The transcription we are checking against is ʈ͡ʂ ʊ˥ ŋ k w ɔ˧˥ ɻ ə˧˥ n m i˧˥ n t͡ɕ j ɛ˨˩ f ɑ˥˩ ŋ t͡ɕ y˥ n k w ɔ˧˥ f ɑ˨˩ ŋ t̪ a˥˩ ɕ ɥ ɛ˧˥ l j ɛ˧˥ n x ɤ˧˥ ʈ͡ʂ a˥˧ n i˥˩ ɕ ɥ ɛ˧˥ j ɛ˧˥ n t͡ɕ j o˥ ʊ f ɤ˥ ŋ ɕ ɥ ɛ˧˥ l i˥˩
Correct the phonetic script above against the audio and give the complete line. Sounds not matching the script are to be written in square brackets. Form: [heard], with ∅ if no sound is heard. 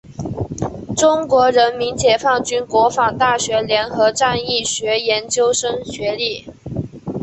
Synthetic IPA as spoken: ʈ͡ʂ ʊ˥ ŋ k w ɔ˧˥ ɻ ə˧˥ n m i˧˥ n t͡ɕ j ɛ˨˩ f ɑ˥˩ ŋ t͡ɕ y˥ n k w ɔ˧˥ f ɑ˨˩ ŋ t̪ a˥˩ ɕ ɥ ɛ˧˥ l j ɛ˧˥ n x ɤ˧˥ ʈ͡ʂ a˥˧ n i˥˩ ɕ ɥ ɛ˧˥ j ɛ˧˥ n t͡ɕ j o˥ ʊ [ʂ] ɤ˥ ŋ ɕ ɥ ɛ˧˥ l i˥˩